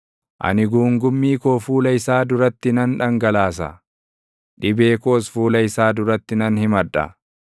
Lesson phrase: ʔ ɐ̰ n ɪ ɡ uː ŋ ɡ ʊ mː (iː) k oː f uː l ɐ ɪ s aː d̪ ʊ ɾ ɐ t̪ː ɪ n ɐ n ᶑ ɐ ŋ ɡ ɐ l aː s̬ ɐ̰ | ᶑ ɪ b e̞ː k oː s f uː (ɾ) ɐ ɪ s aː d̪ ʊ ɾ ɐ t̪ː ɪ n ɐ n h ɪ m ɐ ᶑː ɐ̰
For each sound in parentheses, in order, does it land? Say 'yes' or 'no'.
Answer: yes, no

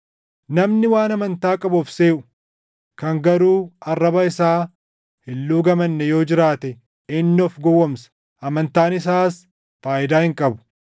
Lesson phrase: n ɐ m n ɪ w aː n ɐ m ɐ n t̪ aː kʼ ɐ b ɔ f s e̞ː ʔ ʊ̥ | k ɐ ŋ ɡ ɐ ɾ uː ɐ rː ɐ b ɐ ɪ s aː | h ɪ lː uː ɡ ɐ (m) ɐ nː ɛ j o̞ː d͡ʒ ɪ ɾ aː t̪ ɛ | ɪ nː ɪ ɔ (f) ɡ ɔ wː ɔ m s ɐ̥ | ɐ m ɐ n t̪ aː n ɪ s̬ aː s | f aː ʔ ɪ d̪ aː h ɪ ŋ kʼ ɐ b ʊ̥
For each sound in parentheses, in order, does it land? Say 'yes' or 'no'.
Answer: yes, yes

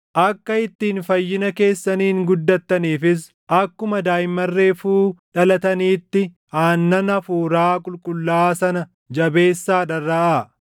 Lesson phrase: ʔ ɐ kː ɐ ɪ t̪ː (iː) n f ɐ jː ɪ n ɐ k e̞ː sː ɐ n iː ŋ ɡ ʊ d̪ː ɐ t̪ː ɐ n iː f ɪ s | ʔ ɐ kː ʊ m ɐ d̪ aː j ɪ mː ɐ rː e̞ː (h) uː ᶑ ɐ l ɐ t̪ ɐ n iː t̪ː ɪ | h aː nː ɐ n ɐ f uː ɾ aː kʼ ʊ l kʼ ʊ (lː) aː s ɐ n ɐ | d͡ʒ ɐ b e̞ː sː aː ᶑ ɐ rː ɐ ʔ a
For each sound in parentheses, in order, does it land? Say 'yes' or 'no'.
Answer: yes, no, yes

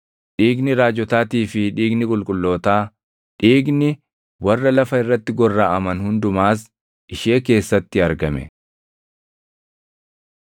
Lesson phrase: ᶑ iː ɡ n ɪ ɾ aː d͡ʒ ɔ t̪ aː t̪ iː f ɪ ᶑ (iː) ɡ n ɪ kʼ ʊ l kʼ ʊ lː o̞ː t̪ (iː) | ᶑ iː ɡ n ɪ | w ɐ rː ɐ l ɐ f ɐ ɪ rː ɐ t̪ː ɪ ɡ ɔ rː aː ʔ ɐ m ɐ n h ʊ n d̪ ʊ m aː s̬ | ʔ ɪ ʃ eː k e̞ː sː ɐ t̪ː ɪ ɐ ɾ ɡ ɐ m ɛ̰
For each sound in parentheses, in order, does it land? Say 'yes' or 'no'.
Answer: yes, no

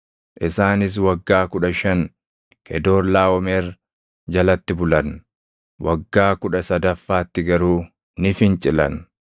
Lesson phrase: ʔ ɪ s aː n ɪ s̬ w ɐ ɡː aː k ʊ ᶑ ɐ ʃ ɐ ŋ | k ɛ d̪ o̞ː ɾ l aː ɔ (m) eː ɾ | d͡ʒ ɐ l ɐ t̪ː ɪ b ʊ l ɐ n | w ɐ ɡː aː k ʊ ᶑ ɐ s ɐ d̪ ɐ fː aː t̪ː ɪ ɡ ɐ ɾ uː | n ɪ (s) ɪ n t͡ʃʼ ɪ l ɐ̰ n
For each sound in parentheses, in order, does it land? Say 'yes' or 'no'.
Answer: yes, no

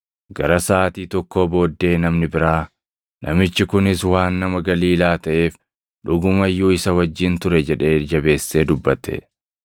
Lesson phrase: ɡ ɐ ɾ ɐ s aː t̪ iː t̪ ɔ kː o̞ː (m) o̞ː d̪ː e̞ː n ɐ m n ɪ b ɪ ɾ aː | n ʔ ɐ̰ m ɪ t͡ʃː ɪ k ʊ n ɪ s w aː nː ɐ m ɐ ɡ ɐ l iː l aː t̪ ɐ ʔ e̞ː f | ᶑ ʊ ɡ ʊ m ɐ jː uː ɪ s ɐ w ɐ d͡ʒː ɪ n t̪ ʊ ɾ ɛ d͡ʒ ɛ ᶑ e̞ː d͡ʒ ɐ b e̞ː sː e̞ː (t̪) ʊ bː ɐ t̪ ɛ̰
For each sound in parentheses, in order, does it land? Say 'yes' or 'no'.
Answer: no, no

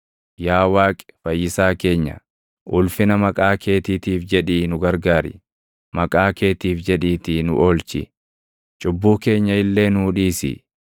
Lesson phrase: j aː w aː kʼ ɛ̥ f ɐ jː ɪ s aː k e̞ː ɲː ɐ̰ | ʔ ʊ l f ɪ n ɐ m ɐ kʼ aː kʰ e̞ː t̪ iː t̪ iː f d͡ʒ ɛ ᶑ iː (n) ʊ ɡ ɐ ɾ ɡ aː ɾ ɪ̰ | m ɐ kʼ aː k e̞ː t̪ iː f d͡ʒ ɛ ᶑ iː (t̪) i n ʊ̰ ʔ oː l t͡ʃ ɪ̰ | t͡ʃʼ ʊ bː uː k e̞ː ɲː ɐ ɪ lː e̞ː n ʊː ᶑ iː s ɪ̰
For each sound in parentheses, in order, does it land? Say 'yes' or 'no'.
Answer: yes, yes

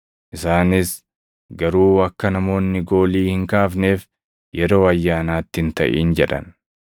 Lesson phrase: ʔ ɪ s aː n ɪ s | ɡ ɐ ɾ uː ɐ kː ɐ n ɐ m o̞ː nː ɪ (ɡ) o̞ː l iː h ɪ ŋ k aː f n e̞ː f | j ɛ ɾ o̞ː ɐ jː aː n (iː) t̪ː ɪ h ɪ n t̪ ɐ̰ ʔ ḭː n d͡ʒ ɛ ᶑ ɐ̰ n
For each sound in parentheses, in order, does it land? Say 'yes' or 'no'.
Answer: yes, no

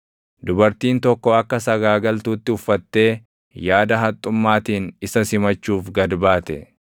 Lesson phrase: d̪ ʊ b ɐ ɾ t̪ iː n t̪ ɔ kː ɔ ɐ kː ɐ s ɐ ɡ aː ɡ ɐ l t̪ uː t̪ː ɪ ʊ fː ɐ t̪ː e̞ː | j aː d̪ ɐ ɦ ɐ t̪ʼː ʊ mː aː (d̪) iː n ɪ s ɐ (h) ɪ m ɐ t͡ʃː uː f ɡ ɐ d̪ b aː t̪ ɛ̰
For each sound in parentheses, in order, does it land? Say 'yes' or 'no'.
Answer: no, no

